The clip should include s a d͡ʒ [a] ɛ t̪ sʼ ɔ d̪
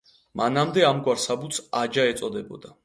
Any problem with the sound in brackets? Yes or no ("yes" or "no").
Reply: no